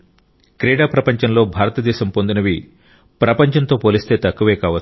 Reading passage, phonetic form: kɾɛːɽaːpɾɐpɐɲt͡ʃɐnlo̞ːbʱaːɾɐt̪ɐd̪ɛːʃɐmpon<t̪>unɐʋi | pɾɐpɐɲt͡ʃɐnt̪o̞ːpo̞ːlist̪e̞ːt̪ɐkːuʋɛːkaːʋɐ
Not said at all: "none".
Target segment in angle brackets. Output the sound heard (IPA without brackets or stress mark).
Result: d̪